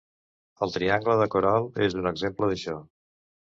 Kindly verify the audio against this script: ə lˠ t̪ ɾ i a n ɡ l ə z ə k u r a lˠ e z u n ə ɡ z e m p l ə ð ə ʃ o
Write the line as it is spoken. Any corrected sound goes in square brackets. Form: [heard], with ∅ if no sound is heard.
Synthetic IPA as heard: ə lˠ t̪ ɾ i a [ŋ] ɡ l ə [ð] ə k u [ɾ] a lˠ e z u n ə ɡ z e m p l ə ð ə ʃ [ɔ]